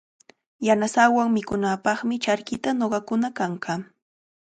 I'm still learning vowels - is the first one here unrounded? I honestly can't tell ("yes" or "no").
yes